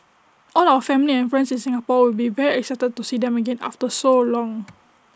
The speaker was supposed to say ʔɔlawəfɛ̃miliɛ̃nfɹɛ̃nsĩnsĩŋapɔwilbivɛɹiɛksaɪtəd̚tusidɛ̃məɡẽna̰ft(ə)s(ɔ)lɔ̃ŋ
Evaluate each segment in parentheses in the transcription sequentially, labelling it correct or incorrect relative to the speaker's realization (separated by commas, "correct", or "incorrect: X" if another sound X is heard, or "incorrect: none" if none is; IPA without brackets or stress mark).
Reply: correct, incorrect: o